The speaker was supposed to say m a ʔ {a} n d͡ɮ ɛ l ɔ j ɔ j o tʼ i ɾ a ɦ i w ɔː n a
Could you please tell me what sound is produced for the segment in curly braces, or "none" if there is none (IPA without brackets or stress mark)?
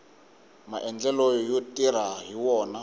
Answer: ɛ